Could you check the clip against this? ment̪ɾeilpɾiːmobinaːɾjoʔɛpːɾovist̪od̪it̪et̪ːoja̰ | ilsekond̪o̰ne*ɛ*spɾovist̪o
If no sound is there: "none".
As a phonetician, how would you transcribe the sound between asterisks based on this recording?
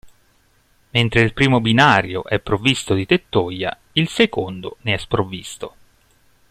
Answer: ɛ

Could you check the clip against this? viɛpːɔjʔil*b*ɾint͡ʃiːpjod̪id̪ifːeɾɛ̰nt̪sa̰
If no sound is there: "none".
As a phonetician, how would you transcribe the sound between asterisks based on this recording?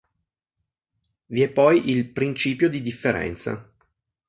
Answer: p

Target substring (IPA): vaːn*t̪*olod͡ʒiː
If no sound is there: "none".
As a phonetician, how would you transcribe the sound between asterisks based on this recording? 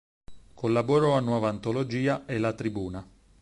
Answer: t̪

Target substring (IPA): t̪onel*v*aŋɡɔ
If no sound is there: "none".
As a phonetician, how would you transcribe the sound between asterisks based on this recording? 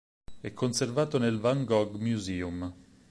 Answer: v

